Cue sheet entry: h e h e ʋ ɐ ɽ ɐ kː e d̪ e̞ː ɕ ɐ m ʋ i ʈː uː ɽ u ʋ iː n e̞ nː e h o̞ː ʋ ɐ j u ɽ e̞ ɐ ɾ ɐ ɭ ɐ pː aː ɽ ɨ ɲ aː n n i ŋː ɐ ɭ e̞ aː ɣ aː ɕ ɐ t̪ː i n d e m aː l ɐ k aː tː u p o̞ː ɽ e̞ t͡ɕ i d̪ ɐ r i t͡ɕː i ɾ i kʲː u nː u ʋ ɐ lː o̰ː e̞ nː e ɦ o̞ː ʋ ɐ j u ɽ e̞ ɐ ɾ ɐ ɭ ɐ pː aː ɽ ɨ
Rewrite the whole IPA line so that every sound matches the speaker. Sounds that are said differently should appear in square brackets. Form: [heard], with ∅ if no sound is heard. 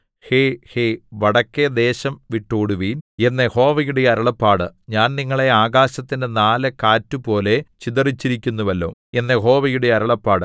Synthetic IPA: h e h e ʋ ɐ ɽ ɐ kː e d̪ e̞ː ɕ ɐ m ʋ i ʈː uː ɽ u ʋ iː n e̞ nː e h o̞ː ʋ ɐ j u ɽ e̞ ɐ ɾ ɐ ɭ ɐ pː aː ɽ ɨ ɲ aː n n i ŋː ɐ ɭ e̞ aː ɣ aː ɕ ɐ t̪ː i n d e [n] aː l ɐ k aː tː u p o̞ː [l] e̞ t͡ɕ i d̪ ɐ r i t͡ɕː i ɾ i kʲː u nː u ʋ ɐ lː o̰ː e̞ nː e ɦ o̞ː ʋ ɐ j u ɽ e̞ ɐ ɾ ɐ ɭ ɐ pː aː ɽ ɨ